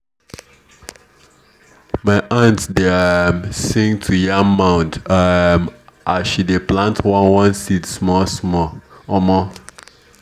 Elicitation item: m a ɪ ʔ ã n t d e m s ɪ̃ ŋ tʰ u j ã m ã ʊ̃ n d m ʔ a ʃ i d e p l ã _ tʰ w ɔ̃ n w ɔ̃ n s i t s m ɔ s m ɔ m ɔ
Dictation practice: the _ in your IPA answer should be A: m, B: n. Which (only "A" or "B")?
B